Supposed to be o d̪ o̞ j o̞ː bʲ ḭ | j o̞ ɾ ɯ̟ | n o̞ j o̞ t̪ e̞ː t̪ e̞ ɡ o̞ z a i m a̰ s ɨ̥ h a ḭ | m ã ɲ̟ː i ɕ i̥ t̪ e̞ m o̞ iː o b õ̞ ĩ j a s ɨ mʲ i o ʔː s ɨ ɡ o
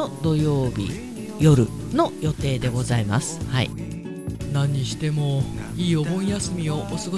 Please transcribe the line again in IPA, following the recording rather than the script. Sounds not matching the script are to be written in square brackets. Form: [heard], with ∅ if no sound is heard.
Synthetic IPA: o d̪ o̞ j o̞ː bʲ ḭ | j o̞ ɾ ɯ̟ | n o̞ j o̞ t̪ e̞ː [d̪] e̞ ɡ o̞ z a i m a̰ s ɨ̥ h a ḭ | [n] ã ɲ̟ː i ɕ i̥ t̪ e̞ m o̞ iː o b õ̞ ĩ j a s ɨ mʲ i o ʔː s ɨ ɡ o